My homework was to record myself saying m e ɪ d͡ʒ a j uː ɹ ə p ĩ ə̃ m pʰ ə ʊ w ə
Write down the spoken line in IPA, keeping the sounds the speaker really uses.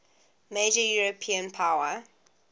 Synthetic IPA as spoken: m e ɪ d͡ʒ ə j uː ɹ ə pʰ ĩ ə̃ n pʰ a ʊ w ə